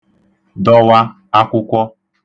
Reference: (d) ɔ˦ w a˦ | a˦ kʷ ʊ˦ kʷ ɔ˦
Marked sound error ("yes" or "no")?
no